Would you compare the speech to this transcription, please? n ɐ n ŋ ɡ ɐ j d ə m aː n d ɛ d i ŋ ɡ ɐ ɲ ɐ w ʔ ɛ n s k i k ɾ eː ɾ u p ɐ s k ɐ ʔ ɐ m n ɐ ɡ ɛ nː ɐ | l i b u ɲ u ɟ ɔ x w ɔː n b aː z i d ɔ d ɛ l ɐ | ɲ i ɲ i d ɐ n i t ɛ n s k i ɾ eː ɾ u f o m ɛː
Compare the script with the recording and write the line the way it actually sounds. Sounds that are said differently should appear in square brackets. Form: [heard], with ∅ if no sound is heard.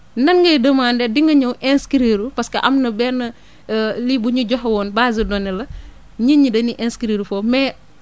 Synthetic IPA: n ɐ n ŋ ɡ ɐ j d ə m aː n d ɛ d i ŋ ɡ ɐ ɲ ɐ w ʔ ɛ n s k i [∅] ɾ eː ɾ u p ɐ s k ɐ ʔ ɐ m n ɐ [b] ɛ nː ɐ | l i b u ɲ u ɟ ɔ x w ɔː n b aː z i d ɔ [n] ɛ l ɐ | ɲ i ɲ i d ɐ n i [ʔ] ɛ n s k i ɾ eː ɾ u f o m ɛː